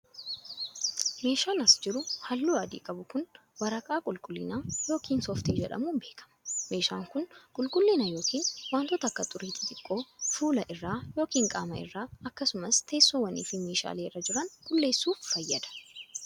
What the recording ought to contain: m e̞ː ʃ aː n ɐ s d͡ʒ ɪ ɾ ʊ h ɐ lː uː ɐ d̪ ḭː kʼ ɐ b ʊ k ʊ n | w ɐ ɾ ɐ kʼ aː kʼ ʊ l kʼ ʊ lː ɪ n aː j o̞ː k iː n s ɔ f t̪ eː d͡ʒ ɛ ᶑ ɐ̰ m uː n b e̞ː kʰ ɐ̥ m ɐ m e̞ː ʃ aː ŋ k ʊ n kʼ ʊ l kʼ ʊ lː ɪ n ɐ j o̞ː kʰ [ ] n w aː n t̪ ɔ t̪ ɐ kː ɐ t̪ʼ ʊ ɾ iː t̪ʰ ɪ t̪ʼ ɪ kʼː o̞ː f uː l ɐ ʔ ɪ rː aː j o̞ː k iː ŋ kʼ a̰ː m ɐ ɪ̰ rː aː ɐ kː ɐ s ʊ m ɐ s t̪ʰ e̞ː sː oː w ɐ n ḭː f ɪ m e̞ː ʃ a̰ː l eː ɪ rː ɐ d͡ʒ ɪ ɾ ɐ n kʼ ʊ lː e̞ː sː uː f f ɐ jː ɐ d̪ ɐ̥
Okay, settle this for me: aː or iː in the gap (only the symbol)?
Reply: iː